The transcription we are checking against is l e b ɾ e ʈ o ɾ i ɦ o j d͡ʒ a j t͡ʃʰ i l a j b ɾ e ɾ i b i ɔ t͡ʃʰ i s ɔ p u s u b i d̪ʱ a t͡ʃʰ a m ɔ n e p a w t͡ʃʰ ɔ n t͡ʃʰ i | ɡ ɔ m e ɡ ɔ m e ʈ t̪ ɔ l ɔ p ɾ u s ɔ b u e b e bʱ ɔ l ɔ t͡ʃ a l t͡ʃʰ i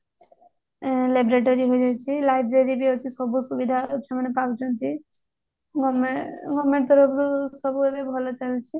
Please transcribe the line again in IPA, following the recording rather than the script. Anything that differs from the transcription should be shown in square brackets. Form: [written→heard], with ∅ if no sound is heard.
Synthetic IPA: l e b ɾ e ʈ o ɾ i ɦ o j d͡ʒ a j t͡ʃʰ i l a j b ɾ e ɾ i b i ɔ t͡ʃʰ i s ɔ [p→b] u s u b i d̪ʱ a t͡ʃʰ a m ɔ n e p a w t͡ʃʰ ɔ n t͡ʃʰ i | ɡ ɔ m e ɡ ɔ m e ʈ t̪ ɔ [l→ɾ] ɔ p ɾ u s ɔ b u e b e bʱ ɔ l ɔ t͡ʃ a l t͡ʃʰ i